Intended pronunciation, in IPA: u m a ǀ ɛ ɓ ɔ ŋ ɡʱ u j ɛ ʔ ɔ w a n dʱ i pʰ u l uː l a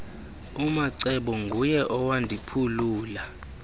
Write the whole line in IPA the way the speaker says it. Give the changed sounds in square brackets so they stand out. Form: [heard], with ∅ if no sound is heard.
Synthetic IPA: u m a ǀ ɛ ɓ ɔ ŋ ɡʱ u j ɛ ʔ ɔ w a n dʱ i pʰ u l uː l a